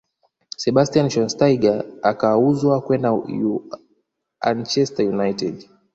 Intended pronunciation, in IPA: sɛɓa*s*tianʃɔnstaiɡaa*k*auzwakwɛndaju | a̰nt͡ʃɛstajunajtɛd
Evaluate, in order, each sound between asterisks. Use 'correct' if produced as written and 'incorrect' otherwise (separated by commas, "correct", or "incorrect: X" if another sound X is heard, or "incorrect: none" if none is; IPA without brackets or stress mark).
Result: correct, correct